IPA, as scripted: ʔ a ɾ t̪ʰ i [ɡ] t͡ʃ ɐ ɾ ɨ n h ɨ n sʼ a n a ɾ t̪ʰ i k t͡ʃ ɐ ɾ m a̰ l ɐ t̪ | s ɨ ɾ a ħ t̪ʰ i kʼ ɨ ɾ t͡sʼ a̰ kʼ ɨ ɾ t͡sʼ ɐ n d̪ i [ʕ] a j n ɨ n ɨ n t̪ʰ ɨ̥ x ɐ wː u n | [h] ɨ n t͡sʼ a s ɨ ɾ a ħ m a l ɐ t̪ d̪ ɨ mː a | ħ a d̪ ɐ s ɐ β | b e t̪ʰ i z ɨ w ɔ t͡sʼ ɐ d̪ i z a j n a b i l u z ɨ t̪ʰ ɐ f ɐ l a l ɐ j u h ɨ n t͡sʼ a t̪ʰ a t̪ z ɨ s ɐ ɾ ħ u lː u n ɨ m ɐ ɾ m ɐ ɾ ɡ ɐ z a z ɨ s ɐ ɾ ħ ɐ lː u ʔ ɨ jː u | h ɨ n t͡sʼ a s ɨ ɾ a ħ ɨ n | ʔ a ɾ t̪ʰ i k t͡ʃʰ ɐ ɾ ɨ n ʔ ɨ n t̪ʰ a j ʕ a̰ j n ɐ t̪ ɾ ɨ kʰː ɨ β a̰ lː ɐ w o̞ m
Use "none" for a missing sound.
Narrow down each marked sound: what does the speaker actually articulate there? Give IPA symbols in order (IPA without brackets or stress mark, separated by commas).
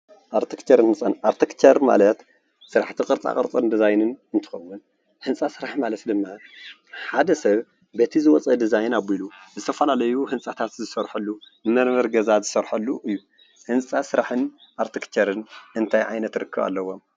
k, z, h